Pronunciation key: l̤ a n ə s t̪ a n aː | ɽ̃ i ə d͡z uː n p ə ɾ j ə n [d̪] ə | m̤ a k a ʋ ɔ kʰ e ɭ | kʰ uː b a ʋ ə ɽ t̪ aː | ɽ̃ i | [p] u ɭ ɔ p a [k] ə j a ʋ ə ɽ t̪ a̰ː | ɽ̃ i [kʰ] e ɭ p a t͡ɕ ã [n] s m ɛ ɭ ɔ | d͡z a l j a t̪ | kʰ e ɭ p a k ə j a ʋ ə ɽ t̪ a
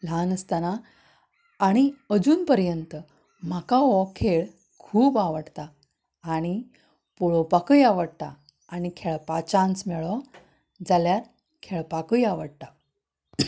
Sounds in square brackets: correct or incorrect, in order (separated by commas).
incorrect, correct, correct, correct, correct